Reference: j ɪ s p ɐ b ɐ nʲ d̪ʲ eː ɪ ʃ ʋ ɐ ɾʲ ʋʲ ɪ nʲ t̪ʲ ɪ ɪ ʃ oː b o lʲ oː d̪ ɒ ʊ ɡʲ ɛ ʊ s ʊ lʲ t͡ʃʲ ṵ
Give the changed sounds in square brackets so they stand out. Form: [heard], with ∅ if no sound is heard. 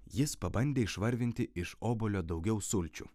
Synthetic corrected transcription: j ɪ s p ɐ b ɐ nʲ d̪ʲ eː ɪ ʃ ʋ ɐ ɾʲ ʋʲ ɪ nʲ t̪ʲ ɪ ɪ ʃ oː b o lʲ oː d̪ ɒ ʊ ɡʲ ɛ ʊ s ʊ lʲ t͡ʃʲ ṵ